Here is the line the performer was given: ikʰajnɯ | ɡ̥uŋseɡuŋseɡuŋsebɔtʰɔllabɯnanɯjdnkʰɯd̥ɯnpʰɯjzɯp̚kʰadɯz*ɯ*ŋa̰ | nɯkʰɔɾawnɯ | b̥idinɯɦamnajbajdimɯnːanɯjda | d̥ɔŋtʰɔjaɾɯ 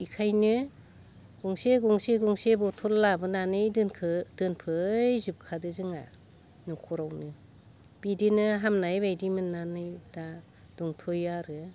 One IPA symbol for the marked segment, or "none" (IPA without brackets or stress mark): ɯ